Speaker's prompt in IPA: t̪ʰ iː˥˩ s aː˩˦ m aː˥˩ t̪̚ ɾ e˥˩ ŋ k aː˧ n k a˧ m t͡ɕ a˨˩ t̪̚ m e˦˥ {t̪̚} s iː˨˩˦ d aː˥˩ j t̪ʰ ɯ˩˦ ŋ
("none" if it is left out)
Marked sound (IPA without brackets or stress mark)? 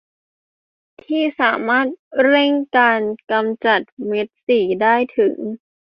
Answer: t̪̚